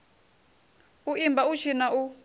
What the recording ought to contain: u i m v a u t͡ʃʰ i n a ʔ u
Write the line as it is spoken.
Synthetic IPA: u i m b a u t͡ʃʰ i n a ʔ u